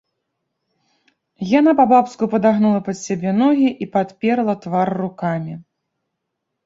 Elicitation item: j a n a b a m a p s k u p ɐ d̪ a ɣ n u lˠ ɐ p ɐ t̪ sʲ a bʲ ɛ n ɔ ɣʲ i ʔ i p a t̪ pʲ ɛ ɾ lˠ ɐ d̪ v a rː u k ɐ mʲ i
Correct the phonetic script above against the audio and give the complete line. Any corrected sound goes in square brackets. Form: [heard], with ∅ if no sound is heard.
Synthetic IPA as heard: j a n a [p] a [b] a p s k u p ɐ d̪ a ɣ n u lˠ ɐ p ɐ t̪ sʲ a bʲ ɛ n ɔ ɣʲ i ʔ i p a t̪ pʲ ɛ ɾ lˠ ɐ [t̪] v a rː u k [a] mʲ i